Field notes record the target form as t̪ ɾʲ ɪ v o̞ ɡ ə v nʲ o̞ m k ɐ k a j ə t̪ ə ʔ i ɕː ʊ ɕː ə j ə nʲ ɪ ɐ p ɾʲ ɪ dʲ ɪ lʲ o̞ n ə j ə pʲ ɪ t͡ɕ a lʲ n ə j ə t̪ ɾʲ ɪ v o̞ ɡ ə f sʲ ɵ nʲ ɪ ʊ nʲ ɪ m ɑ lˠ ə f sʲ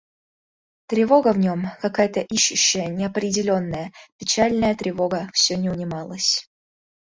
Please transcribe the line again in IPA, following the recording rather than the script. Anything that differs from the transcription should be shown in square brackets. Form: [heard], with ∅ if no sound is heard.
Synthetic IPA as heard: t̪ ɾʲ ɪ v o̞ ɡ ə v nʲ o̞ m k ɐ k a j ə t̪ ə ʔ i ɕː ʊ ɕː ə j ə nʲ ɪ ɐ p ɾʲ ɪ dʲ ɪ lʲ o̞ [nː] ə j ə pʲ ɪ t͡ɕ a lʲ n ə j ə t̪ ɾʲ ɪ v o̞ ɡ ə f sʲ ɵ nʲ ɪ ʊ nʲ ɪ m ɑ lˠ ə [∅] sʲ